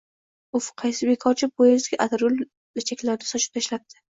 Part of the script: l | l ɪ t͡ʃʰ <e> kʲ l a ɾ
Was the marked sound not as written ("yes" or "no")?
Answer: yes